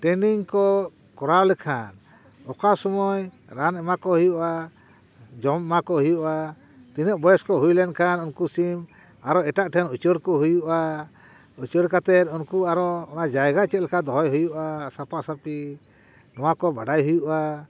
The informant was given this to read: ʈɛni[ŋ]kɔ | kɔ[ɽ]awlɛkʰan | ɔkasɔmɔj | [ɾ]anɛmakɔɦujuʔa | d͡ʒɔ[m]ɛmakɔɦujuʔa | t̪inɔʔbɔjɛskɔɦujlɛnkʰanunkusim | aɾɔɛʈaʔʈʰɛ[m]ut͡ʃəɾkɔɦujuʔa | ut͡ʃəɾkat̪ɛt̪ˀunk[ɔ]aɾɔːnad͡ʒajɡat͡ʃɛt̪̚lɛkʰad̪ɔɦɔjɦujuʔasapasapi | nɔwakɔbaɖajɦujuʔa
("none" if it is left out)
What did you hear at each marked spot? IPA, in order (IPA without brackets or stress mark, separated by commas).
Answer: ŋ, ɾ, ɾ, m, n, u